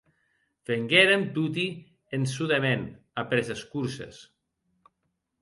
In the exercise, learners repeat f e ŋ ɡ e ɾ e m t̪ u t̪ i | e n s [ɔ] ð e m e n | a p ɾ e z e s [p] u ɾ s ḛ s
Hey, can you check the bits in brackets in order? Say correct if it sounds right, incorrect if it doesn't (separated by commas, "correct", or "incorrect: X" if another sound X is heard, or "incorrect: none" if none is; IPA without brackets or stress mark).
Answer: incorrect: u, incorrect: k